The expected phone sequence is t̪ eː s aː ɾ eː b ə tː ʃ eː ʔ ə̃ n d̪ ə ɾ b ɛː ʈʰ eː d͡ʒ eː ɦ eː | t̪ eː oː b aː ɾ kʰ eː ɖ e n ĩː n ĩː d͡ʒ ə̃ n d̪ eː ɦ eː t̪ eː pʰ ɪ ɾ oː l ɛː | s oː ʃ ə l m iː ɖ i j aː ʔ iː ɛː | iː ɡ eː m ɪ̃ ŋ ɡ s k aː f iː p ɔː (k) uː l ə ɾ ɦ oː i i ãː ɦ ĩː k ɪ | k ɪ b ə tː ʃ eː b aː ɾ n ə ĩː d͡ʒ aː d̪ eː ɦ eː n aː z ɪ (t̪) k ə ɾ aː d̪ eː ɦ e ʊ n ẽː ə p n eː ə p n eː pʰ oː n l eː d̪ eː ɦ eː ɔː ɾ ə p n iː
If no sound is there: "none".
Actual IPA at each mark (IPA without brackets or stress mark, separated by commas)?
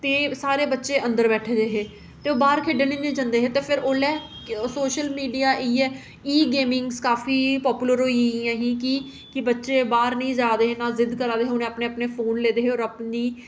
p, d̪